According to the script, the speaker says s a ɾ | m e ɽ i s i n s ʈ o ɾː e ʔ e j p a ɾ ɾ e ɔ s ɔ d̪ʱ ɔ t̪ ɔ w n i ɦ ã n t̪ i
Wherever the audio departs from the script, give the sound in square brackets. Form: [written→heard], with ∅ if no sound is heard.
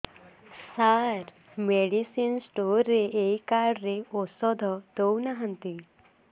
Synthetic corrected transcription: s a ɾ | m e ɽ i s i n s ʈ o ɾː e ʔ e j [p→k] a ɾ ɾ e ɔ s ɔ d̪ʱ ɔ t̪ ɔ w n [i→a] ɦ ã n t̪ i